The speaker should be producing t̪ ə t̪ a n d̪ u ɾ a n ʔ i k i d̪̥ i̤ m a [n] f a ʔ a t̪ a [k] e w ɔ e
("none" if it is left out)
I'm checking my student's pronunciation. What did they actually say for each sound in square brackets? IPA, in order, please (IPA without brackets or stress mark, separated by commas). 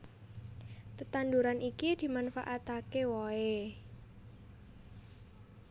n, k